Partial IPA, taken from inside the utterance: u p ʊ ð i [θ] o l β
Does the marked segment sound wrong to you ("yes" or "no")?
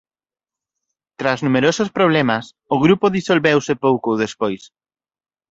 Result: yes